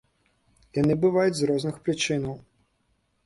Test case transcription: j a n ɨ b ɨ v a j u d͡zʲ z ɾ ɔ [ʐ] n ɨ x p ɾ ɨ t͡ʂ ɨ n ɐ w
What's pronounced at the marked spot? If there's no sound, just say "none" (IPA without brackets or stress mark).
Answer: z